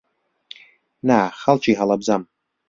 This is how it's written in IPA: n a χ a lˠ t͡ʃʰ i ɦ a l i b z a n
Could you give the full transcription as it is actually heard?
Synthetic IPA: n a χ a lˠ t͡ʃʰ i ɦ a l a b z a m